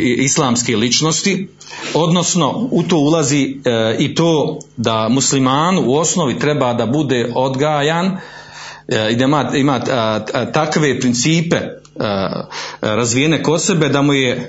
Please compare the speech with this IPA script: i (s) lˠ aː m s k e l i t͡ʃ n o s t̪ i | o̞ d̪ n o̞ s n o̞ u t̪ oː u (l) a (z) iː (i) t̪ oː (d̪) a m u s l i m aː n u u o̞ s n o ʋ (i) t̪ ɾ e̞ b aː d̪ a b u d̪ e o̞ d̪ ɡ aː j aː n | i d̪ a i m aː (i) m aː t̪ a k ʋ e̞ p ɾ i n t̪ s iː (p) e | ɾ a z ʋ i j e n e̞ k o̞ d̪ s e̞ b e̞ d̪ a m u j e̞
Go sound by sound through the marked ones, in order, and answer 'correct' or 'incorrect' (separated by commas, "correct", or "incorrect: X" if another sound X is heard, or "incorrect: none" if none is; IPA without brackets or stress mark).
correct, correct, correct, correct, correct, correct, correct, correct